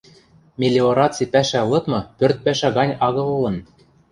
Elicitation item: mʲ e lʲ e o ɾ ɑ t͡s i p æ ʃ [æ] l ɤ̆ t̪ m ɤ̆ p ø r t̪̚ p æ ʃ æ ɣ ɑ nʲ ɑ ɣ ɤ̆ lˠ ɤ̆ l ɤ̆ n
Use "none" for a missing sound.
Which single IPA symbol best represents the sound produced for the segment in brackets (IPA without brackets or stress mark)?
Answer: æ